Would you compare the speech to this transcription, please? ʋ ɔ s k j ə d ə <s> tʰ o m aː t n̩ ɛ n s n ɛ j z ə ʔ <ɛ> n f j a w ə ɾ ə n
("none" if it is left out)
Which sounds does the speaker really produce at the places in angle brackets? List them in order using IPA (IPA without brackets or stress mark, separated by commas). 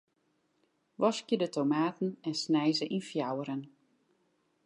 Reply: none, i